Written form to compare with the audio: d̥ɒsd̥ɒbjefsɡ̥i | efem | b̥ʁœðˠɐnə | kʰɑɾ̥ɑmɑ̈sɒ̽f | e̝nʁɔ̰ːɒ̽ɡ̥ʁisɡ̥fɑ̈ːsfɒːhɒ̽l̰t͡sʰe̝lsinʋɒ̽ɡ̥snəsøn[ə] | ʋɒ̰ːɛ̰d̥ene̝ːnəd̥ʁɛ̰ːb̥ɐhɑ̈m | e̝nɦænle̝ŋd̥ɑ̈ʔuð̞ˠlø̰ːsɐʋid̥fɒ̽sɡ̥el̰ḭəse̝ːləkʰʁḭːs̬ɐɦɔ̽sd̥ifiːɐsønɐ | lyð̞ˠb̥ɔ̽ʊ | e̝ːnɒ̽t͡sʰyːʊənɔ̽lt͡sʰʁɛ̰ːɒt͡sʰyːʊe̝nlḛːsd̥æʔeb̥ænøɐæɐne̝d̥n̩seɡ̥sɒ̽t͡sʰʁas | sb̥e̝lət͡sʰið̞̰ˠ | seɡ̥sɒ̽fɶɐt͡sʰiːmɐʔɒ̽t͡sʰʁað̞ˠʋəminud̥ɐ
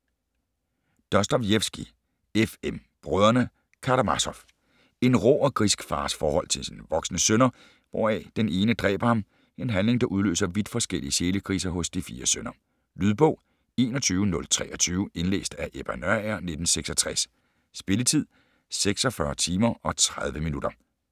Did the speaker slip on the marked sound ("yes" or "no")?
yes